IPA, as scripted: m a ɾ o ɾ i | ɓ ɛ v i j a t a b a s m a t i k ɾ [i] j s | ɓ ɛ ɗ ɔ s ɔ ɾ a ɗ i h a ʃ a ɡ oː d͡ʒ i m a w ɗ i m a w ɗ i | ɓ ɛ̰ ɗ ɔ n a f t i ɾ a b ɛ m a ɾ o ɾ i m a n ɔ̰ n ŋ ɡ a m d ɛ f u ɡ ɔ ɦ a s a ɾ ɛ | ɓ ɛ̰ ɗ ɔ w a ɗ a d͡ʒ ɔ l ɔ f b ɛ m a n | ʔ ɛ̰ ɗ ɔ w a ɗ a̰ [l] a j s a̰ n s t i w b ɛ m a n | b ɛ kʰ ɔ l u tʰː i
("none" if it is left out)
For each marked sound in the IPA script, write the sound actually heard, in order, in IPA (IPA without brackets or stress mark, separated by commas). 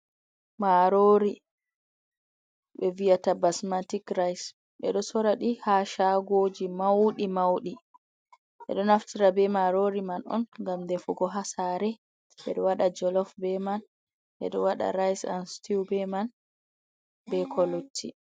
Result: a, ɾ